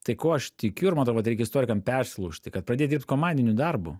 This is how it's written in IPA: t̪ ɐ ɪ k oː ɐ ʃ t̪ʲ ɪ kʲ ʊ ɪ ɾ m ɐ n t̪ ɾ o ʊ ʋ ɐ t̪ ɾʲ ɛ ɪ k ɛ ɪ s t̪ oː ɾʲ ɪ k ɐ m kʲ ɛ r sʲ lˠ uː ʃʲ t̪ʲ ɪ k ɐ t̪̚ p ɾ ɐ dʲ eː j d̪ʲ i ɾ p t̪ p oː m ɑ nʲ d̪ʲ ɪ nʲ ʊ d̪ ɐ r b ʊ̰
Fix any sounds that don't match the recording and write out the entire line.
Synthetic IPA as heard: t̪ ɐ ɪ k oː ɐ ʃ t̪ʲ ɪ kʲ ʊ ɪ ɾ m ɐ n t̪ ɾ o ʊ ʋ ɐ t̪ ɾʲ ɛ ɪ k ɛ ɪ s t̪ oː ɾʲ ɪ k ɐ m pʲ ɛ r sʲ lˠ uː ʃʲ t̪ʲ ɪ k ɐ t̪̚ p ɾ ɐ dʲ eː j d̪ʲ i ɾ p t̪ k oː m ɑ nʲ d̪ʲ ɪ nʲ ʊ d̪ ɐ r b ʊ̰